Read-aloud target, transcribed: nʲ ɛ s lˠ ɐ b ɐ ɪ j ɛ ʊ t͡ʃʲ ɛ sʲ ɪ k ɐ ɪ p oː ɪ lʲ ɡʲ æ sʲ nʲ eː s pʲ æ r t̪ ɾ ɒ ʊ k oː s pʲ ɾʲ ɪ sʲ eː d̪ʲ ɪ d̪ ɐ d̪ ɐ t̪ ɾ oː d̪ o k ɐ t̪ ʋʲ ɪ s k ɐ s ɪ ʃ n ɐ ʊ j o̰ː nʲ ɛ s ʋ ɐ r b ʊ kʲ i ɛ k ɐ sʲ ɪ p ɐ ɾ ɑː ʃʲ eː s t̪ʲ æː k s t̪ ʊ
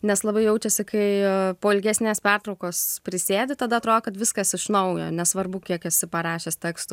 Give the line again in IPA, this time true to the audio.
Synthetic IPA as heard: nʲ ɛ s lˠ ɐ b ɐ ɪ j ɛ ʊ t͡ʃʲ ɛ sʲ ɪ k ɐ ɪ p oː ɪ lʲ ɡʲ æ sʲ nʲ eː s pʲ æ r t̪ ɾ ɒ ʊ k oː s pʲ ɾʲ ɪ sʲ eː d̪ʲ ɪ t̪ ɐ d̪ ɐ t̪ ɾ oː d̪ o k ɐ t̪ ʋʲ ɪ s k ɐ s ɪ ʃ n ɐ ʊ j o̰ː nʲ ɛ s ʋ ɐ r b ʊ kʲ i ɛ k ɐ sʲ ɪ p ɐ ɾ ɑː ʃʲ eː s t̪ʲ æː k s t̪ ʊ

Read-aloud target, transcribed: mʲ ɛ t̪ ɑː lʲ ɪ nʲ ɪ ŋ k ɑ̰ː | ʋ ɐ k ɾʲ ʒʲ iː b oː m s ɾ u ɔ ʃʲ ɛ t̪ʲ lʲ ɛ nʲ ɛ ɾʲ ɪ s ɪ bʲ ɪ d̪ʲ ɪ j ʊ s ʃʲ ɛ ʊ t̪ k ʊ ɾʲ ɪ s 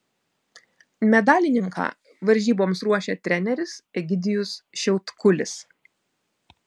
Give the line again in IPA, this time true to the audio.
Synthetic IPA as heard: mʲ ɛ d̪ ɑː lʲ ɪ nʲ ɪ ŋ k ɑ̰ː | ʋ ɐ ɾʲ ʒʲ iː b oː m s ɾ u ɔ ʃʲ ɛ t̪ʲ ɾʲ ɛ nʲ ɛ ɾʲ ɪ s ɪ ɡʲ ɪ d̪ʲ ɪ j ʊ s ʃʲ ɛ ʊ t̪ k ʊ lʲ ɪ s

